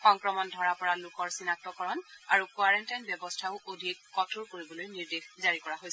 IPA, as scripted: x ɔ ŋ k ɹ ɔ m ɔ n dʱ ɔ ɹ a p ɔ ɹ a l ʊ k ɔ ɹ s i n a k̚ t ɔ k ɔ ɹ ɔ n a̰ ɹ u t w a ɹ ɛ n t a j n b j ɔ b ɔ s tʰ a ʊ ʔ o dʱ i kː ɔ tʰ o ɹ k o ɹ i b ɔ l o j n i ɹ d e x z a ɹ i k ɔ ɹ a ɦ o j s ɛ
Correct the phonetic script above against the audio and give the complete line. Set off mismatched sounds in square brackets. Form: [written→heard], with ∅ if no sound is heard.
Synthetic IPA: x ɔ ŋ k ɹ ɔ m ɔ n dʱ ɔ ɹ a p ɔ ɹ a l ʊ k ɔ ɹ s i n a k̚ t ɔ k ɔ ɹ ɔ n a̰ ɹ u [t→k] w a ɹ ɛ n t a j n b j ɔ b ɔ s tʰ a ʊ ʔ o dʱ i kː ɔ tʰ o ɹ k o ɹ i b ɔ l o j n i ɹ d e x z a ɹ i k ɔ ɹ a ɦ o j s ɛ